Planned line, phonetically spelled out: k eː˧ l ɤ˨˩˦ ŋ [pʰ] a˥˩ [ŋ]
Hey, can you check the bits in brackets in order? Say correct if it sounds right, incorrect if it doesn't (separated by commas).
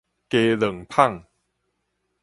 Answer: correct, correct